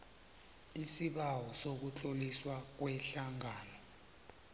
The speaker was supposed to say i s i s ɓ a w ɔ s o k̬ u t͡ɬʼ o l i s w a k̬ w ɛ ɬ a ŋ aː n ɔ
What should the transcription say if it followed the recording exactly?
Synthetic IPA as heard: i s i ɓ a w ɔ s o k̬ u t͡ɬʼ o l i s w a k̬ w ɛ ɬ a ŋ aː n ɔ